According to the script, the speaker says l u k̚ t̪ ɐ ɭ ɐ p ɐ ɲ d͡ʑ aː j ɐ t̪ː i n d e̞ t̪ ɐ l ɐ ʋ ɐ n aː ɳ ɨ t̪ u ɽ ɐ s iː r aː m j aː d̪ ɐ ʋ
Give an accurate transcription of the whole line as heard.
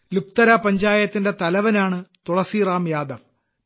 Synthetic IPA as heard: l u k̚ t̪ ɐ ɾ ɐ p ɐ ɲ d͡ʑ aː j ɐ t̪ː i n d e̞ t̪ ɐ l ɐ ʋ ɐ n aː ɳ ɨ t̪ u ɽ ɐ s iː r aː m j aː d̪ ɐ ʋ